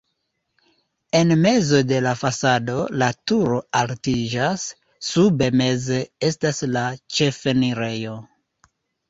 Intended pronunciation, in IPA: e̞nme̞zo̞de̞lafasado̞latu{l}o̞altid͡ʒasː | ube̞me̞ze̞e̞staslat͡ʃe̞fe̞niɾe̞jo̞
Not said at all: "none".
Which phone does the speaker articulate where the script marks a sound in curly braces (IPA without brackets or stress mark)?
ɾ